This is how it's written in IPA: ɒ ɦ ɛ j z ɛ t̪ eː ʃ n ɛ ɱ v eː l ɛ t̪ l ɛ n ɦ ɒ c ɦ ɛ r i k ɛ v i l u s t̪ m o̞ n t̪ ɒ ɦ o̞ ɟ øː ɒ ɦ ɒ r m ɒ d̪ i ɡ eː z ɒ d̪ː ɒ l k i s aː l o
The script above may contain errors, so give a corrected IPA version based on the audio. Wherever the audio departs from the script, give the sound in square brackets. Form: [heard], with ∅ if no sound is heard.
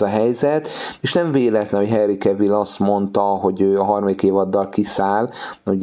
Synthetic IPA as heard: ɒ ɦ ɛ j z ɛ t̪ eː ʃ n ɛ ɱ v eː l ɛ t̪ l ɛ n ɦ [o] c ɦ ɛ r i k ɛ v i l [ɒ] s t̪ m o̞ n t̪ ɒ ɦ o̞ ɟ øː ɒ ɦ ɒ r m ɒ d̪ i [k] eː [v] ɒ d̪ː ɒ l k i s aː l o